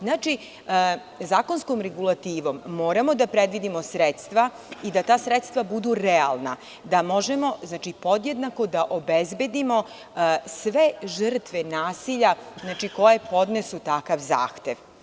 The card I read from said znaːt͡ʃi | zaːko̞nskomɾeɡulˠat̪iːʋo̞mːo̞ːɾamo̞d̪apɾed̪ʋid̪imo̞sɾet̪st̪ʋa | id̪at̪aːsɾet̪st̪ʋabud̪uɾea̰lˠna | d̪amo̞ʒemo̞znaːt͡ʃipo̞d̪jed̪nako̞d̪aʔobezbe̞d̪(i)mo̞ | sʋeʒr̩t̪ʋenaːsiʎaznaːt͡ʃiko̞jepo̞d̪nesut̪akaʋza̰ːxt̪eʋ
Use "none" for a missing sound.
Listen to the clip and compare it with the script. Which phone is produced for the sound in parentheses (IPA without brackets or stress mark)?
i